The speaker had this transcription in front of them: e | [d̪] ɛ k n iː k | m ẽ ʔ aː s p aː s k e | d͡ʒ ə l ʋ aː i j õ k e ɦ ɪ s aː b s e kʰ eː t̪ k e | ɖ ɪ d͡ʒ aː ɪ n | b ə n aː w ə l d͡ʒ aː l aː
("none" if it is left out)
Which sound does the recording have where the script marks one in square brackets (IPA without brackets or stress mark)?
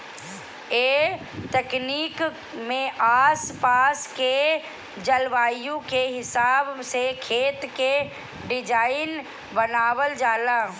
t̪